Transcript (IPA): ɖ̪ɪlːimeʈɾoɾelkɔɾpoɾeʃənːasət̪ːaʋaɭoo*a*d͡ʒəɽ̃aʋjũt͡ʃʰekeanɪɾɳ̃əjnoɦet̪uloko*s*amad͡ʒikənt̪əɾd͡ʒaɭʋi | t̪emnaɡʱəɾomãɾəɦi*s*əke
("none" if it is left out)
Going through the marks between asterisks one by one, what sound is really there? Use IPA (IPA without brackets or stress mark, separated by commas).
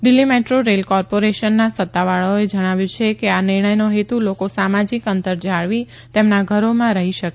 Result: e, s, ʃ